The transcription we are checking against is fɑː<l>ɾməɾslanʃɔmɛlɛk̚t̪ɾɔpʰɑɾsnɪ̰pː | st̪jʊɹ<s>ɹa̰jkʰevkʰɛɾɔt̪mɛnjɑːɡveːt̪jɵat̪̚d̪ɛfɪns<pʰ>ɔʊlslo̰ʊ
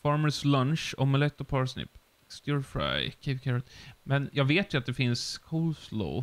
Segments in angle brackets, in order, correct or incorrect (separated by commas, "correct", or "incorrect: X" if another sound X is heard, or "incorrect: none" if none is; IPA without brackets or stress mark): incorrect: none, incorrect: f, incorrect: kʰ